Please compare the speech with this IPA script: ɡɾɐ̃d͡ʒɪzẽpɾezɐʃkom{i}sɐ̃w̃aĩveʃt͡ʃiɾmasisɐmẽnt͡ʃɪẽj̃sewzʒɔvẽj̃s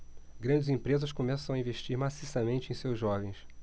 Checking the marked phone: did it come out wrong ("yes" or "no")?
yes